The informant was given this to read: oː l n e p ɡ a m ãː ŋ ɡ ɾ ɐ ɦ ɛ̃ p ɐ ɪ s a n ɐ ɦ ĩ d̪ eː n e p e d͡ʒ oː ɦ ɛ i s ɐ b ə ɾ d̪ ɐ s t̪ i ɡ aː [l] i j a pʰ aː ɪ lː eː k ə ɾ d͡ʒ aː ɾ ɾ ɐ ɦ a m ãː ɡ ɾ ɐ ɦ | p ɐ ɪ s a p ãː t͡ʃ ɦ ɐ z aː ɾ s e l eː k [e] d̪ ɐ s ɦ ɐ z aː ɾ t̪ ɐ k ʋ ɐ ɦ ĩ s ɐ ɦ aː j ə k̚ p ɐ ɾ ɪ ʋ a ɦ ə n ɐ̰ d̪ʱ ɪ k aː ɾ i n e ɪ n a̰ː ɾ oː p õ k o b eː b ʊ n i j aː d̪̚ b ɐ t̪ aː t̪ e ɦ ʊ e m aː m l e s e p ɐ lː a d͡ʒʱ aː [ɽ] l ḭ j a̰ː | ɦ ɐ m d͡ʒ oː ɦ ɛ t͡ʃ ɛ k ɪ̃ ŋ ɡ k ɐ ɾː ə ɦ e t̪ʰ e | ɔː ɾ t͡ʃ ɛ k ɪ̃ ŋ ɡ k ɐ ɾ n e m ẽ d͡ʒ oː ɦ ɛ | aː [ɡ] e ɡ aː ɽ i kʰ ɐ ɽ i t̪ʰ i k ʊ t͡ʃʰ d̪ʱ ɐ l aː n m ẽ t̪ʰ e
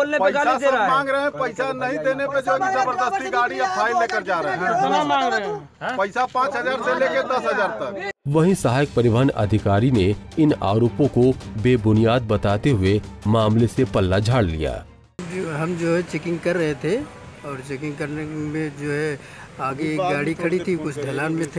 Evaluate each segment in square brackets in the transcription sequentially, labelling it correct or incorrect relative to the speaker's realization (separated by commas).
incorrect, correct, correct, correct